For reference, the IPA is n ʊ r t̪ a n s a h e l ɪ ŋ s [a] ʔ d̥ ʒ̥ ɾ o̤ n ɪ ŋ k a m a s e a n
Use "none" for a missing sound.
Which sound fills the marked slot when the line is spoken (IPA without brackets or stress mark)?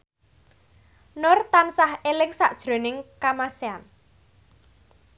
a